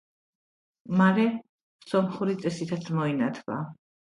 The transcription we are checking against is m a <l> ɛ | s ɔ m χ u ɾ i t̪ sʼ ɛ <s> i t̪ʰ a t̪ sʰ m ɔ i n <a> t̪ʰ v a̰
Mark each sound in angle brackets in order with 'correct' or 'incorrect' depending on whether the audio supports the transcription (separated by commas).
incorrect, correct, correct